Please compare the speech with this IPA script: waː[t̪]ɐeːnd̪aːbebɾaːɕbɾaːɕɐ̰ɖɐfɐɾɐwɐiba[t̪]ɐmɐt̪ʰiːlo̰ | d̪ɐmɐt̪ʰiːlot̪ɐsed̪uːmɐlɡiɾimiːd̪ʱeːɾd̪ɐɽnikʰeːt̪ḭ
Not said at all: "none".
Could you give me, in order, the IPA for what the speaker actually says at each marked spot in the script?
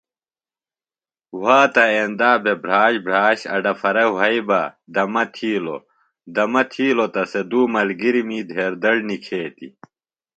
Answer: t̪, d̪

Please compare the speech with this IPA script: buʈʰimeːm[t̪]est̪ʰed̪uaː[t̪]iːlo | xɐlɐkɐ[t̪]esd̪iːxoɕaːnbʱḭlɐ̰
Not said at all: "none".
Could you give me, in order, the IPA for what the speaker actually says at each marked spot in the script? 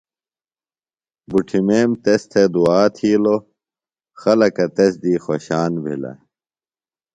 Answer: t̪, t̪ʰ, t̪

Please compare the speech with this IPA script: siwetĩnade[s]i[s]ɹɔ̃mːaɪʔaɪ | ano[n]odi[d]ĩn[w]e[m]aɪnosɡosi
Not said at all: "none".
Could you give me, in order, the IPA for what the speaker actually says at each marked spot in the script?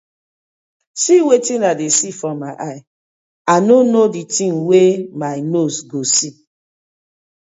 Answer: s, f, n, t, w, m

